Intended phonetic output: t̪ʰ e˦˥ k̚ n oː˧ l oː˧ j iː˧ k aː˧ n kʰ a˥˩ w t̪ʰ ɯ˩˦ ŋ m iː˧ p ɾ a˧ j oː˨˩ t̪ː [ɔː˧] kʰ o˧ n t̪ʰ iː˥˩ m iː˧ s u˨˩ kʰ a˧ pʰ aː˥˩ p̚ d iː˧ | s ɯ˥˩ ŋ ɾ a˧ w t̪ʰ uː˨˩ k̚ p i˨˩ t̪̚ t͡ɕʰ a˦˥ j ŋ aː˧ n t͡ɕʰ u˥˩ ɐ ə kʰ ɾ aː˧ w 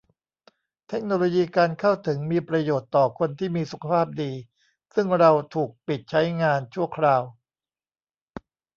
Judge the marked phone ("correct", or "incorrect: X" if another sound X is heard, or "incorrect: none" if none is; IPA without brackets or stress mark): incorrect: ɔː˨˩